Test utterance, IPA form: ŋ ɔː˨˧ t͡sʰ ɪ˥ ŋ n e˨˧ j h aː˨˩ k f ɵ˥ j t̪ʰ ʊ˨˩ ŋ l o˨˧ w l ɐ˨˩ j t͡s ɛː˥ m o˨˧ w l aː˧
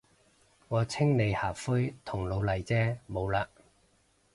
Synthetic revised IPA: ŋ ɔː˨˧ t͡sʰ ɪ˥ ŋ n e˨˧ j h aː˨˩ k f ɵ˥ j t̪ʰ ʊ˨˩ ŋ l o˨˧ w l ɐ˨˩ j t͡s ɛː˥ m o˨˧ w l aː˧